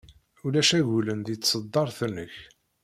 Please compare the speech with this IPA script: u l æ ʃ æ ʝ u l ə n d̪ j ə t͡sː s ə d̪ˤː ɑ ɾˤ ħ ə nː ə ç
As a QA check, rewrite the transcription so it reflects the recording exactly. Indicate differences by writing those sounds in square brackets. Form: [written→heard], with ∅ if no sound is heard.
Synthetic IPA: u l æ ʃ æ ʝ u l ə n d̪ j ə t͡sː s ə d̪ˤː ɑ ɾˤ [ħ→θ] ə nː ə ç